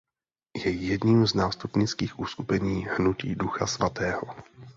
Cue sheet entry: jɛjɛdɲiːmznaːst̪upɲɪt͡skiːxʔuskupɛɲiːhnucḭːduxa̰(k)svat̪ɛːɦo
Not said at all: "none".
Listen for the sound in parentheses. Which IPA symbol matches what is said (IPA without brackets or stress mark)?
none